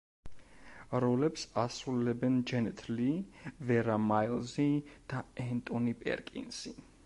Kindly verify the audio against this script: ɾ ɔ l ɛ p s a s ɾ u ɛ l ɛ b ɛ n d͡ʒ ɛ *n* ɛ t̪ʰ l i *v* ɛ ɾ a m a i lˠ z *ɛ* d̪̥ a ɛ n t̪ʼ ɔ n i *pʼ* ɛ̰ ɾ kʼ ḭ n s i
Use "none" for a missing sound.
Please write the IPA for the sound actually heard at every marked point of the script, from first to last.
n, v, i, pʼ

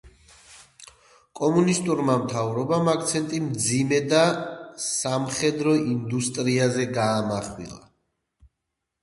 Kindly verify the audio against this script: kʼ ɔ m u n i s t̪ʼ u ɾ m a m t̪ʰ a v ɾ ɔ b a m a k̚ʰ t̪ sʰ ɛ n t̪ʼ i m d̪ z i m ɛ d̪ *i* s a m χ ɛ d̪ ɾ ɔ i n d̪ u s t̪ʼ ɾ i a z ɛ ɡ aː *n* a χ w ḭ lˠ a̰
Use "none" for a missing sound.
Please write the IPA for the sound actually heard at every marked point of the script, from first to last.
a, m

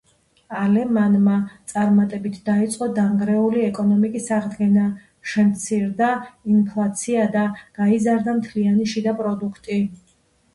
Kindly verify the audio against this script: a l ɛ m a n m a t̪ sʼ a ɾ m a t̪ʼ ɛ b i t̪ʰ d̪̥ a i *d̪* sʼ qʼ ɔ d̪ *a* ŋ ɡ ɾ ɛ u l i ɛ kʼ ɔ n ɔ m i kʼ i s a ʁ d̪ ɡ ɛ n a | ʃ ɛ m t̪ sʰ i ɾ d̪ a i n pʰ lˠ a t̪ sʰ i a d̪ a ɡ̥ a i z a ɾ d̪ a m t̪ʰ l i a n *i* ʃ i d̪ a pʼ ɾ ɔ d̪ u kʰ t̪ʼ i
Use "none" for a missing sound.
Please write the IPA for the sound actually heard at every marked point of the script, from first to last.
t̪, a, i

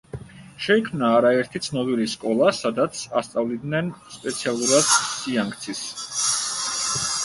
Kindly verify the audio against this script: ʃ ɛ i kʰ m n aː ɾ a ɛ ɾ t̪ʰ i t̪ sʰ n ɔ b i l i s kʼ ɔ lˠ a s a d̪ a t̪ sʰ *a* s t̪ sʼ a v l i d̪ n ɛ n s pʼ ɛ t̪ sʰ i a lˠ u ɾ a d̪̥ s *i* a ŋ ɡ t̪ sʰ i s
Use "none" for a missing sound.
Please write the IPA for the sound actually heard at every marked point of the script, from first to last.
a, i

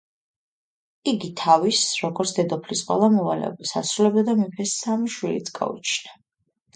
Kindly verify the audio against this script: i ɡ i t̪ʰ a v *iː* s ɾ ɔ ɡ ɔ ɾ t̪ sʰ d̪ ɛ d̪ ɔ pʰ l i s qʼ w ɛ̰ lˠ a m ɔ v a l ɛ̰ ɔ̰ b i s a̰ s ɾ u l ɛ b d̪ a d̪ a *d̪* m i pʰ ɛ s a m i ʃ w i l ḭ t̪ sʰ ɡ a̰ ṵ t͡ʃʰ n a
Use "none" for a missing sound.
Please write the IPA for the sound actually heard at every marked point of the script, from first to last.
i, none

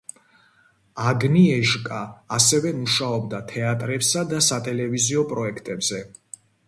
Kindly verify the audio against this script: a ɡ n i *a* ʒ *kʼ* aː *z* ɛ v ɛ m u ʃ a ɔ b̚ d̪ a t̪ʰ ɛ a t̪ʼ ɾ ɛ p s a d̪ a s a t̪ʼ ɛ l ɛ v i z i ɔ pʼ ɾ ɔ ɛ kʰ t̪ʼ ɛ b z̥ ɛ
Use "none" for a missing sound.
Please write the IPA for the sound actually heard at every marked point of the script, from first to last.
ɛ, kʼ, s

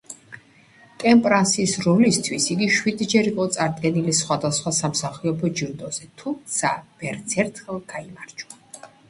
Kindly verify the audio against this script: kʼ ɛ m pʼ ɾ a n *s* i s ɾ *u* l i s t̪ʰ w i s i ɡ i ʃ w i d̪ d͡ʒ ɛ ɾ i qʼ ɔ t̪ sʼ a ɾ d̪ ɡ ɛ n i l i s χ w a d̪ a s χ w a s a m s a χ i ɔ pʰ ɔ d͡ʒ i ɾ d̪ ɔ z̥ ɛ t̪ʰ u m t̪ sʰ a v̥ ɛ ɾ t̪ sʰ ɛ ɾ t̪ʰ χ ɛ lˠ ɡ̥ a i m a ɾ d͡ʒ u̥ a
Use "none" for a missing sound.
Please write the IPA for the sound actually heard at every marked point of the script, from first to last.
s, ɔ

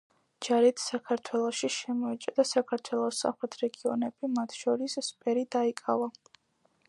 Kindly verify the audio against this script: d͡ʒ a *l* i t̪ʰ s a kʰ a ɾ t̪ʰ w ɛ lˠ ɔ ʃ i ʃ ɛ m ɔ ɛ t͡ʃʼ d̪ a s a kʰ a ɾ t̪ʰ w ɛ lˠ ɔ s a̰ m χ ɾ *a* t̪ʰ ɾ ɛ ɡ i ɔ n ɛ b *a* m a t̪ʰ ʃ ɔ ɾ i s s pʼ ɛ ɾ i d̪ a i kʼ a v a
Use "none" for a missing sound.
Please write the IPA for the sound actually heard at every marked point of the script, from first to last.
ɾ, ɛ, i

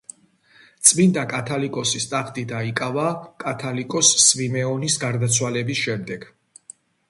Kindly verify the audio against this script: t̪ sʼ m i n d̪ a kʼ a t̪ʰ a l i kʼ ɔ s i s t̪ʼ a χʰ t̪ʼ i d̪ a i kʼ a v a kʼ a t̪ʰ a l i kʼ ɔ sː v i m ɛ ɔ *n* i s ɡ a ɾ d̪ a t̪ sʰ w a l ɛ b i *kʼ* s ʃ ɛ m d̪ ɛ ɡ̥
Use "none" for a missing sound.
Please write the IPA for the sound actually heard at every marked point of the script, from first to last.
n, none

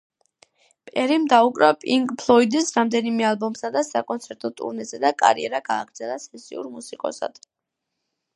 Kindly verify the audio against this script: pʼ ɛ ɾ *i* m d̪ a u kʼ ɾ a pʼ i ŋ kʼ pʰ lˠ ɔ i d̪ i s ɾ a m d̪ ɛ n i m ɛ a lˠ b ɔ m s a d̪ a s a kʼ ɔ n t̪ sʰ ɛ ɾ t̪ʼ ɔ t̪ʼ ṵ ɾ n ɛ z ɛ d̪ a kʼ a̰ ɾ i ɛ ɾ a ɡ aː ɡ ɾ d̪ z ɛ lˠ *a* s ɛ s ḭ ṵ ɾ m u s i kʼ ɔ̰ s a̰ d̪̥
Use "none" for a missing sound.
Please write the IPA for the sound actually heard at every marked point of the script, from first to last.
i, a

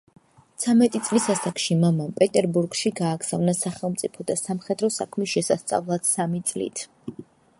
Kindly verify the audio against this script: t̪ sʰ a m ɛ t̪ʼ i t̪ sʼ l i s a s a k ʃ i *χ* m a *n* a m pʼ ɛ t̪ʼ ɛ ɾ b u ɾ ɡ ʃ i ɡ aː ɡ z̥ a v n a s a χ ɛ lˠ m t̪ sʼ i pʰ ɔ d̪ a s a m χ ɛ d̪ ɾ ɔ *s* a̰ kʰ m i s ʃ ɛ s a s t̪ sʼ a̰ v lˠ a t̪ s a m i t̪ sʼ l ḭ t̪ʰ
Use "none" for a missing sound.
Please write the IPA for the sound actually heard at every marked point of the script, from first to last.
none, m, s

